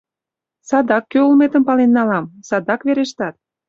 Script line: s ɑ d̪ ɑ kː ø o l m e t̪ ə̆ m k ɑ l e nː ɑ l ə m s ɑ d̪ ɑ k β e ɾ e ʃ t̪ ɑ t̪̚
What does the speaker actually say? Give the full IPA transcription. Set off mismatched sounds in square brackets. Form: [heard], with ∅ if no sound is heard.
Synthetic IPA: s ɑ d̪ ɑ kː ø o l m e t̪ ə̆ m [p] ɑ l e nː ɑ l [ɑ] m s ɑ d̪ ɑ k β e ɾ e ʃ t̪ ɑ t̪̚